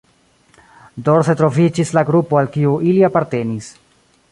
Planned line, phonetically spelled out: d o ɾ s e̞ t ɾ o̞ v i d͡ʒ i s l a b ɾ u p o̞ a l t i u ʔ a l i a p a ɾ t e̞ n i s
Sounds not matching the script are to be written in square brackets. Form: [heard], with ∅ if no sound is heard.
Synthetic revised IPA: d o ɾ s e̞ t ɾ o̞ v i d͡ʒ i s l a [ɡ] ɾ u p o̞ a l [k] i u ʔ [i] l i a p a ɾ t e̞ n i s